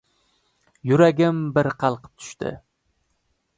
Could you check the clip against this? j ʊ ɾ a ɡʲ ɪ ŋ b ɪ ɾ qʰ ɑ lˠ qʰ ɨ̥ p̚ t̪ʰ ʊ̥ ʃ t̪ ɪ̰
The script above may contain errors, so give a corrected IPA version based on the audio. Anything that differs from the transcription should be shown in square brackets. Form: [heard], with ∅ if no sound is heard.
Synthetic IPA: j ʊ ɾ a ɡʲ ɪ [m] b ɪ ɾ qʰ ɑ lˠ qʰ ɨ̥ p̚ t̪ʰ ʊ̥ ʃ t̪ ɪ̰